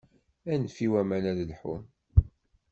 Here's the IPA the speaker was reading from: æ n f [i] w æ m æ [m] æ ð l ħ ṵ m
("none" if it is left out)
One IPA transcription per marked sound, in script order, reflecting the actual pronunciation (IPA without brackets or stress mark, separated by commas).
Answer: i, n